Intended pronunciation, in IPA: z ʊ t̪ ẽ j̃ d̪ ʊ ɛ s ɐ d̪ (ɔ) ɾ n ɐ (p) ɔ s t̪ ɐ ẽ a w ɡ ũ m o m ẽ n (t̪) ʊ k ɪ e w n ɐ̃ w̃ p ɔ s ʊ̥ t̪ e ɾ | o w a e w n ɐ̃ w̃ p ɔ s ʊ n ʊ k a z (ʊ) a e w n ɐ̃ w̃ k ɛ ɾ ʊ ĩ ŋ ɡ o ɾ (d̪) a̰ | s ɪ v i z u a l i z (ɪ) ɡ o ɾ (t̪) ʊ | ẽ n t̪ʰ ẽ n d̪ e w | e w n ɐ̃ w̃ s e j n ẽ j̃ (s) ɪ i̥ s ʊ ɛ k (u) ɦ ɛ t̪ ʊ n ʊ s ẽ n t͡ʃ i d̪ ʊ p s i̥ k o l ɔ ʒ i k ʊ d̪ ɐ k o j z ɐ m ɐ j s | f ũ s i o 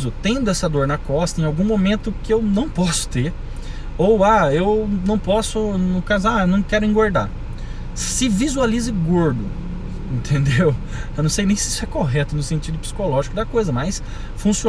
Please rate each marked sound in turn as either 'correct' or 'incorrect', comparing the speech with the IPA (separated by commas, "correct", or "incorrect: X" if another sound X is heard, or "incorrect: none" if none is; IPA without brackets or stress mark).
incorrect: o, incorrect: k, correct, correct, correct, correct, incorrect: d̪, correct, incorrect: o